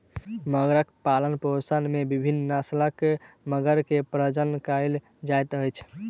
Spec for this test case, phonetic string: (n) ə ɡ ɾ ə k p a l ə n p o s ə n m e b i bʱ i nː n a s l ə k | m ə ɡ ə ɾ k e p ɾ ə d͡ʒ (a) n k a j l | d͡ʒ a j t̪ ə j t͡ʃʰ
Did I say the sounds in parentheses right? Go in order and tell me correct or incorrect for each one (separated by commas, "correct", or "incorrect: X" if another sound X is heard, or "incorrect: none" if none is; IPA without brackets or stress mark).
incorrect: m, incorrect: ə